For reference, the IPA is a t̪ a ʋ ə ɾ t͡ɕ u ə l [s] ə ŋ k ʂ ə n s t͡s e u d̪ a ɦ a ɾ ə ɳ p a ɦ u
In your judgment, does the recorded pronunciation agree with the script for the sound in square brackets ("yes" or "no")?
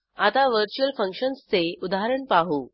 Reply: no